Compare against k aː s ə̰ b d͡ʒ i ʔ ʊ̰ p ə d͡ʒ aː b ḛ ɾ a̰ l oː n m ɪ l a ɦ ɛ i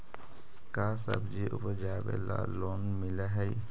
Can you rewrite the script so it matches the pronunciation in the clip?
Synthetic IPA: k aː s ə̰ b d͡ʒ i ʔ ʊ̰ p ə d͡ʒ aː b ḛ l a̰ l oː n m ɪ l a ɦ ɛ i